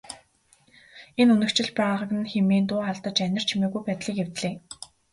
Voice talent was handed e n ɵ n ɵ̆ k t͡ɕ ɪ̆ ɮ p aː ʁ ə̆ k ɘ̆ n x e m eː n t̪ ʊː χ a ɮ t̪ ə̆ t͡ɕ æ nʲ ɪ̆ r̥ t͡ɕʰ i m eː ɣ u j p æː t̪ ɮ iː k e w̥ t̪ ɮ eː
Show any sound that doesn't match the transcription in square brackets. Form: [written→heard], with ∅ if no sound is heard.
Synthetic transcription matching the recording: e n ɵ n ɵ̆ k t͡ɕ ɪ̆ ɮ p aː ʁ ə̆ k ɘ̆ n x e m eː n t̪ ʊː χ a ɮ t̪ ə̆ t͡ɕ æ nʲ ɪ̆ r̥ t͡ɕʰ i m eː ɣ u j p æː t̪ ɮ iː k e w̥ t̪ ɮ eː